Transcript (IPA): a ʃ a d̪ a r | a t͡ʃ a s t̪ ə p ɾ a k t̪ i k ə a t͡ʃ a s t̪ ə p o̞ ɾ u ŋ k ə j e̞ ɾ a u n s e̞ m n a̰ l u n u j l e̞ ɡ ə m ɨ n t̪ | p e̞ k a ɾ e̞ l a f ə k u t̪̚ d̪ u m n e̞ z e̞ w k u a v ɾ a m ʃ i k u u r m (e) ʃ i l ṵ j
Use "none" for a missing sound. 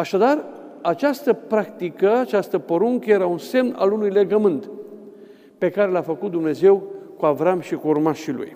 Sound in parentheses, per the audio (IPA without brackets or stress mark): a